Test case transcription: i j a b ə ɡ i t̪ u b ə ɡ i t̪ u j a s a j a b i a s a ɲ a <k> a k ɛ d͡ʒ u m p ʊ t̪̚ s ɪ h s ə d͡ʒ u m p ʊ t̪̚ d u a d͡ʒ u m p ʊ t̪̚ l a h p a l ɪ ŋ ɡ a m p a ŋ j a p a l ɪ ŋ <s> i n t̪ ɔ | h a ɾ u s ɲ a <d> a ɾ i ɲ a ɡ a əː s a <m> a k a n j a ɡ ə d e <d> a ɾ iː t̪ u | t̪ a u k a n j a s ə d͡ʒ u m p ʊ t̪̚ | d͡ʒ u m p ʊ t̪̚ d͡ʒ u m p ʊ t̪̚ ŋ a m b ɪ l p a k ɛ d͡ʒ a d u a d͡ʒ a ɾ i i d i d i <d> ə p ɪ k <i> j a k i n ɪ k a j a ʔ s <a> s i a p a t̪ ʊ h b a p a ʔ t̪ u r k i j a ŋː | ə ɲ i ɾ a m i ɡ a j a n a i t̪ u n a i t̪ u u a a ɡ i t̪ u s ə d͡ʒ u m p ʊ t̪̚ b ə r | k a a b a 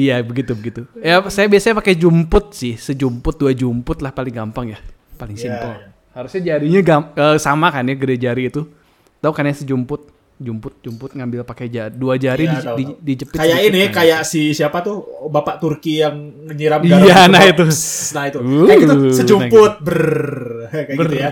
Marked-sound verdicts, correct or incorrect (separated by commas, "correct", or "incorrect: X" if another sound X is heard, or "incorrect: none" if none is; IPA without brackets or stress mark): incorrect: p, correct, incorrect: d͡ʒ, correct, incorrect: d͡ʒ, incorrect: d͡ʒ, incorrect: a, incorrect: i